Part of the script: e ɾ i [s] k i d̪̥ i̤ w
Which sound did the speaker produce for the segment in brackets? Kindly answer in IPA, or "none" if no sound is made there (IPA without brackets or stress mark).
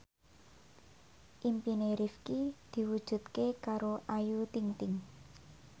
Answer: f